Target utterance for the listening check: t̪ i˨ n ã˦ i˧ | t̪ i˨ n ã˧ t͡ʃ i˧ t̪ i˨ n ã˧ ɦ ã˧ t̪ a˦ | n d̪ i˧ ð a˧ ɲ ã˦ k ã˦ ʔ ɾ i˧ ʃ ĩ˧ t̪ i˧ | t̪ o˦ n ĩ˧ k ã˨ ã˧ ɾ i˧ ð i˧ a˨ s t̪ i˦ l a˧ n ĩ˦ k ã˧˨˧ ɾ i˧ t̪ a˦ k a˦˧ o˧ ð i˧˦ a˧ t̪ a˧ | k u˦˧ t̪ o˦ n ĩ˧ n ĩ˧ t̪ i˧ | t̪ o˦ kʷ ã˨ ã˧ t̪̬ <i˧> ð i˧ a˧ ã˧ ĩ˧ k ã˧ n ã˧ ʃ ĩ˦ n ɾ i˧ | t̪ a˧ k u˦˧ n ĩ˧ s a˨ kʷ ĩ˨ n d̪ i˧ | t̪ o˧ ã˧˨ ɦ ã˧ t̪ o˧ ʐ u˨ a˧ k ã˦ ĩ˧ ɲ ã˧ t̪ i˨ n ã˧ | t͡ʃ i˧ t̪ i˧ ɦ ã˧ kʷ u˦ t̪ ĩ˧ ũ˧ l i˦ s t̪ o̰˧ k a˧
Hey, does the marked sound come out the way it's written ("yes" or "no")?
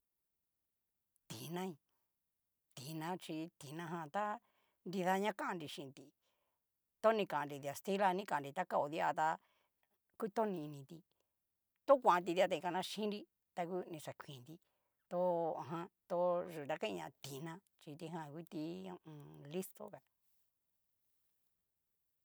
yes